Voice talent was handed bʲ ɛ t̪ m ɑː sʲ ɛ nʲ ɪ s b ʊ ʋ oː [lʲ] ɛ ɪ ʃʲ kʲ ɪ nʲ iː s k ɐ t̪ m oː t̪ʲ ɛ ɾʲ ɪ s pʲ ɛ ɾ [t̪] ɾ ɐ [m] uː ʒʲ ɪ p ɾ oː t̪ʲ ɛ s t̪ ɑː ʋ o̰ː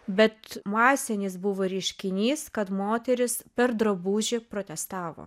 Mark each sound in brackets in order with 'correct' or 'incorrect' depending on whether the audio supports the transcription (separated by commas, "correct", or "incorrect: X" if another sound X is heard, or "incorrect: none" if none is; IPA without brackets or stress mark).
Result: incorrect: ɾʲ, incorrect: d̪, incorrect: b